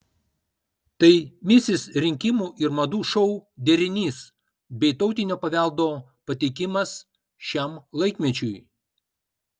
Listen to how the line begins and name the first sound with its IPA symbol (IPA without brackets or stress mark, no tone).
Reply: t̪